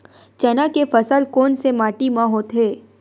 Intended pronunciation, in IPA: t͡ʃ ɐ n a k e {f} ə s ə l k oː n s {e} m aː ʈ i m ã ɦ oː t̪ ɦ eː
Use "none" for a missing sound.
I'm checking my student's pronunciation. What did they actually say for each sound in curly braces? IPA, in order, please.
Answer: f, e

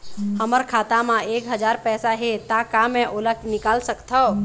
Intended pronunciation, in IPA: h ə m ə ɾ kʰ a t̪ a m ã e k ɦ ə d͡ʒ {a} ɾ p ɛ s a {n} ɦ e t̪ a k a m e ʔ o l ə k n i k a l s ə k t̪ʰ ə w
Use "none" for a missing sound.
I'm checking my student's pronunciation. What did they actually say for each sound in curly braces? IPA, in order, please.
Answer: a, none

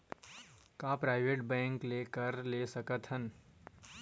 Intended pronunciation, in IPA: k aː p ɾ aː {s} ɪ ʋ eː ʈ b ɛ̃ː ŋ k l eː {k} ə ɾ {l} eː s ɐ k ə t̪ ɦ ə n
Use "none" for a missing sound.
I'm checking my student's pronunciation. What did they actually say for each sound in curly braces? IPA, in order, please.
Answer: none, k, l

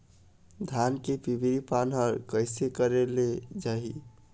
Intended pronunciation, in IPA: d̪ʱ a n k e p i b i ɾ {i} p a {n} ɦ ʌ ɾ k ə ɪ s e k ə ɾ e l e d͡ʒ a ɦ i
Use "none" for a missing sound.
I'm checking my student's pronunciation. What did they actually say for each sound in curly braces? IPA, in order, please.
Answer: i, n

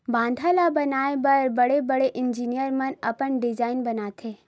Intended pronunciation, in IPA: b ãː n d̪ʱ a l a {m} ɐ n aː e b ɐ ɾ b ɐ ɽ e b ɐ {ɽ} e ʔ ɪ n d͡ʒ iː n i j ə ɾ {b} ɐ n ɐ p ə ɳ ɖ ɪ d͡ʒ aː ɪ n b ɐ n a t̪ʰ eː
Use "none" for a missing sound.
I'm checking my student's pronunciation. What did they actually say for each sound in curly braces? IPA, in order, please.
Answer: b, ɽ, m

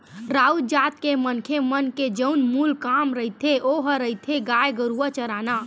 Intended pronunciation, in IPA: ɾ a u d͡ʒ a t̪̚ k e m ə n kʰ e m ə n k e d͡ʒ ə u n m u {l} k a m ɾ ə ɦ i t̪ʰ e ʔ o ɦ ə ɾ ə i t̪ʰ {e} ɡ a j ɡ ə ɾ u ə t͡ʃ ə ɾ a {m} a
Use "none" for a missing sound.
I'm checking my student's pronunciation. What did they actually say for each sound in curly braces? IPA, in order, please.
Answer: l, e, n

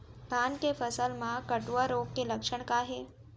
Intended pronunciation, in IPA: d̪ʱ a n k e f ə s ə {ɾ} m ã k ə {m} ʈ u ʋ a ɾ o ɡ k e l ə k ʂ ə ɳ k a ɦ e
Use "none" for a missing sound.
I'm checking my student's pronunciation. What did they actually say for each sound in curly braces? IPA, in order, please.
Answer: l, none

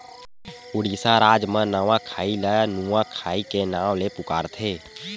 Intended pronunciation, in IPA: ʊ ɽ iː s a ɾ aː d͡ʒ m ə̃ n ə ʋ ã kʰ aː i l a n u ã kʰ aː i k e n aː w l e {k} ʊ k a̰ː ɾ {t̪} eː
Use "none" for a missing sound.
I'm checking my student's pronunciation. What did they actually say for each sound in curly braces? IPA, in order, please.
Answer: p, t̪ʰ

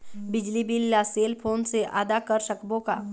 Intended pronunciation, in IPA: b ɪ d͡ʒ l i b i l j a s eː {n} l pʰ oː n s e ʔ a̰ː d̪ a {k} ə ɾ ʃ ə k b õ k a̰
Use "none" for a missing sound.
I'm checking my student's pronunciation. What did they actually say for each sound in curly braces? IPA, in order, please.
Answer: none, k

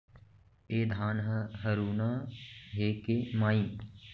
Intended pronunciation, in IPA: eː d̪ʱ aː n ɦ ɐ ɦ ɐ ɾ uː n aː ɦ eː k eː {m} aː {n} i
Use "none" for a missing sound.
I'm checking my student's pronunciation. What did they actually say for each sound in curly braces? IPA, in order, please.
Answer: m, none

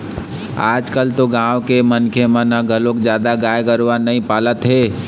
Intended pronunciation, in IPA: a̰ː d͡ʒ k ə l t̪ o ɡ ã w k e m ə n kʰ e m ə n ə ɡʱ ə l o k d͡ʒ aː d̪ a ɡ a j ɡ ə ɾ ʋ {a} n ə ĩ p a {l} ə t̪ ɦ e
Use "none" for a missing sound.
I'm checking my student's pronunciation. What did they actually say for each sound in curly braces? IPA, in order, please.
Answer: a, l

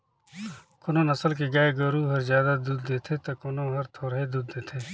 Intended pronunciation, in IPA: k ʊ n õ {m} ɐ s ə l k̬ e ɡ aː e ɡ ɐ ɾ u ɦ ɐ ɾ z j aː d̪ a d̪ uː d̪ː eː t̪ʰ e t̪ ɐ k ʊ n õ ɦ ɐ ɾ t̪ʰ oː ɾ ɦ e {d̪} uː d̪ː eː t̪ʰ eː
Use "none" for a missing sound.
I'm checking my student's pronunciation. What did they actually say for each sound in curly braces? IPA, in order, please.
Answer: n, d̪

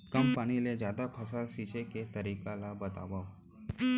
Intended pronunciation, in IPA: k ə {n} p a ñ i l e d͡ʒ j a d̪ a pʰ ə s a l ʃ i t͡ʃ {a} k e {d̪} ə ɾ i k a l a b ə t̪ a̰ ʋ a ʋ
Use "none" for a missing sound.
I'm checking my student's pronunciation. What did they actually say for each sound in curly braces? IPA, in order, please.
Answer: m, e, t̪

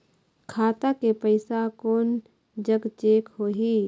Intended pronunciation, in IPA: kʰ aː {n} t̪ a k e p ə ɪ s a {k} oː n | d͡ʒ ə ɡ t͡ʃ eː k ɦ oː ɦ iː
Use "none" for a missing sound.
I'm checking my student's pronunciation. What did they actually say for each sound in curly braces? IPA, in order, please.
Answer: none, k

